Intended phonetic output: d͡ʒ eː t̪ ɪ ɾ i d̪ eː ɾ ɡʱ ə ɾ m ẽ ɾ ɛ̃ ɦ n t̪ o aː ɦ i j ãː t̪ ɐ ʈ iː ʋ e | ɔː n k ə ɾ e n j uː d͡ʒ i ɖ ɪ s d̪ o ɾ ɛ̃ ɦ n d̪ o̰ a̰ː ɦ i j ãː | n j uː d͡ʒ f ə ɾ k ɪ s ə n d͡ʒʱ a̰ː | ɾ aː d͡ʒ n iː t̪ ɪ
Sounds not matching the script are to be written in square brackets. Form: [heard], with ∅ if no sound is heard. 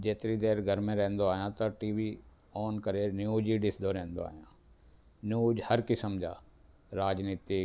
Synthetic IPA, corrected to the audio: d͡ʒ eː t̪ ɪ ɾ i d̪ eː ɾ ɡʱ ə ɾ m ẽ ɾ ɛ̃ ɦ n [d̪] o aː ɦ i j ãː t̪ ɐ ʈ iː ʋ [i] | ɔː n k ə ɾ e n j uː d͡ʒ i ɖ ɪ s d̪ o ɾ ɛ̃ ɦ n d̪ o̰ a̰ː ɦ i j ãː | n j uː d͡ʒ [h] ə ɾ k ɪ s ə [m] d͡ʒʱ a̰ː | ɾ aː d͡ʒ n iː t̪ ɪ